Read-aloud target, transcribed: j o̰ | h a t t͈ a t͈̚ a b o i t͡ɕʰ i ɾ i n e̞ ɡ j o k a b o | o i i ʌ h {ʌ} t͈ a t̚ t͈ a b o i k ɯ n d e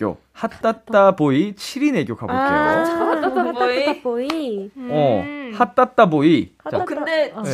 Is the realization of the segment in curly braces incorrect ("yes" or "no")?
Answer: yes